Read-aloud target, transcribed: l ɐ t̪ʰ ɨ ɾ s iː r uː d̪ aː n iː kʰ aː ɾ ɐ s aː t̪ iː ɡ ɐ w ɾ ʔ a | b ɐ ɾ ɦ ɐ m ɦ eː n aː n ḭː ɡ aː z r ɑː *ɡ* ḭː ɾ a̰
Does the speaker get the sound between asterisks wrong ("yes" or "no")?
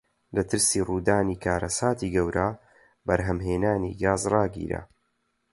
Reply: no